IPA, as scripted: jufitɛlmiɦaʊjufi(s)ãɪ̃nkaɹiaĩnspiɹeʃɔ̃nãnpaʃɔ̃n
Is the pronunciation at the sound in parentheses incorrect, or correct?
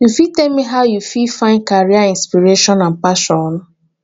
incorrect